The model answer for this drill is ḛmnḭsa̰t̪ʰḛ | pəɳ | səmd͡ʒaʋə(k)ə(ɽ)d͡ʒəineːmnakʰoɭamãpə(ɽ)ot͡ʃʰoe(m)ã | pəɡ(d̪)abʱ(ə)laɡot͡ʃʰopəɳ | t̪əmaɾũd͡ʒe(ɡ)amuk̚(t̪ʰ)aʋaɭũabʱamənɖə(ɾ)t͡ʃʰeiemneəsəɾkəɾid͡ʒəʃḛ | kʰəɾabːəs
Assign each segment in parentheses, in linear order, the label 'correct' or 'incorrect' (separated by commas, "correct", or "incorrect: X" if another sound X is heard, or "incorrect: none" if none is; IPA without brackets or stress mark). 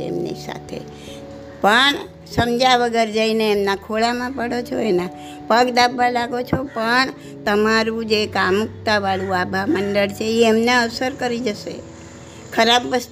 incorrect: ɡ, incorrect: ɾ, correct, incorrect: n, correct, incorrect: a, incorrect: k, incorrect: t̪, incorrect: ɭ